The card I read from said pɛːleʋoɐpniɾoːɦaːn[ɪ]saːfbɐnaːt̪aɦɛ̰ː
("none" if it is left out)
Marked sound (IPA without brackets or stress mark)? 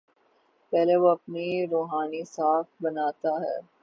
i